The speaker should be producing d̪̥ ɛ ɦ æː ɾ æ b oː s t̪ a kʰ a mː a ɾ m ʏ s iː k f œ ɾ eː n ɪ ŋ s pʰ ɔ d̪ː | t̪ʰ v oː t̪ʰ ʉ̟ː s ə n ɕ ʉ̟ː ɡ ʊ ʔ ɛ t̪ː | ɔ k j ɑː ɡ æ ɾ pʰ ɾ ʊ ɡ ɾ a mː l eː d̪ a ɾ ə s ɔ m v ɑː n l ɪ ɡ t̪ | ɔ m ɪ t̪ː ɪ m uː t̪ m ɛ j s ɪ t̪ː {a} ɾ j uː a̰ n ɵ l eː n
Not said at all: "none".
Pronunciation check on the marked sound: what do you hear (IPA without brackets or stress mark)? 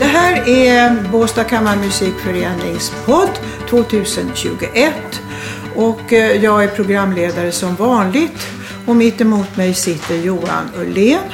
ə